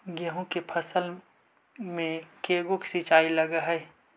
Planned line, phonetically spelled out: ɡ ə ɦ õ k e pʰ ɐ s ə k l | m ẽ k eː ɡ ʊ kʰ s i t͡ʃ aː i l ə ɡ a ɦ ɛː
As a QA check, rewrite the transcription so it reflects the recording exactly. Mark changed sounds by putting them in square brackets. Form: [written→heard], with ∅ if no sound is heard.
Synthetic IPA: ɡ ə ɦ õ k e pʰ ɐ s ə [k→∅] l | m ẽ k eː ɡ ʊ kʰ s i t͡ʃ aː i l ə ɡ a ɦ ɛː